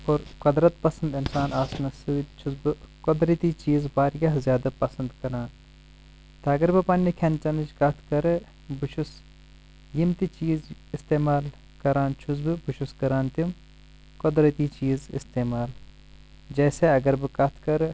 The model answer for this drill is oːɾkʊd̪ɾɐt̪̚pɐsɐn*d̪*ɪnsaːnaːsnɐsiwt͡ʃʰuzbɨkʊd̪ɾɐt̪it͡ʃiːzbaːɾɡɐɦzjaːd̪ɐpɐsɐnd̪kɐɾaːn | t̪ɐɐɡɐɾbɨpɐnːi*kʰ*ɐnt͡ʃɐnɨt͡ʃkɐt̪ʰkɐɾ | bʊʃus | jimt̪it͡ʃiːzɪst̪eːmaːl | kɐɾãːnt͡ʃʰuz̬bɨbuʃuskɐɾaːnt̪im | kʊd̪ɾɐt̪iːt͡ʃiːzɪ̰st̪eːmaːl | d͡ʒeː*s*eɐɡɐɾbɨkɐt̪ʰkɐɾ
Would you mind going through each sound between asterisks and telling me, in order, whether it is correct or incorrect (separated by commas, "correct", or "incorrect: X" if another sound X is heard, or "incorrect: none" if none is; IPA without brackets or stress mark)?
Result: correct, correct, correct